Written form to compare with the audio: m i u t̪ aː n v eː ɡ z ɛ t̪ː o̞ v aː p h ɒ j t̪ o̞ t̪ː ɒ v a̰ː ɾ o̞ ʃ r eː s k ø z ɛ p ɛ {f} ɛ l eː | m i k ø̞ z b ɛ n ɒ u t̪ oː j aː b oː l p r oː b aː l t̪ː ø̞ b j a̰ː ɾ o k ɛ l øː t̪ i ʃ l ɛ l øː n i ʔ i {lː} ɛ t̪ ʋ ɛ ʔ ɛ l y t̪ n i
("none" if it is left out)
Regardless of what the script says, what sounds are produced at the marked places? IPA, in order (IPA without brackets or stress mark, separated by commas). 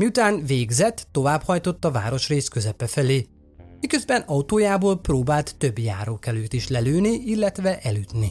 f, lː